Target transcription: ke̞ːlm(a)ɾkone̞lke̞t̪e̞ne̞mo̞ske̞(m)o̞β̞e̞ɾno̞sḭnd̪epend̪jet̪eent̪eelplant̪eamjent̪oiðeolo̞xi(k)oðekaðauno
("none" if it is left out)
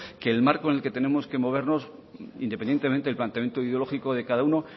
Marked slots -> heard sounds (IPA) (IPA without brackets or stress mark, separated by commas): a, m, k